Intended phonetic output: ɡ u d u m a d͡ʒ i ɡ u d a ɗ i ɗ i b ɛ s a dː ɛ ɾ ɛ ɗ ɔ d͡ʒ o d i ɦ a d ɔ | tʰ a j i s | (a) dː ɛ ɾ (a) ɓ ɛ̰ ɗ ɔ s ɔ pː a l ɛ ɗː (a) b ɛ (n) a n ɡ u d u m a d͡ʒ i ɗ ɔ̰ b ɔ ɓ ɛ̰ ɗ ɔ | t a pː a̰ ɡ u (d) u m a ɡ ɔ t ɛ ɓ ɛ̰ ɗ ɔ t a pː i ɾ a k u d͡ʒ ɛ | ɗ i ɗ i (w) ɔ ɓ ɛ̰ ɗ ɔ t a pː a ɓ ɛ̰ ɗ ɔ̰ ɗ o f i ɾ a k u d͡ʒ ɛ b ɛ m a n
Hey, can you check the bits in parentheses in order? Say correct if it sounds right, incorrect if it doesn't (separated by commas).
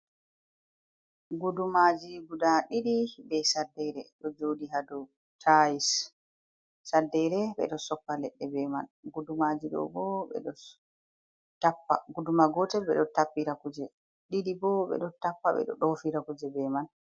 correct, incorrect, incorrect, incorrect, correct, incorrect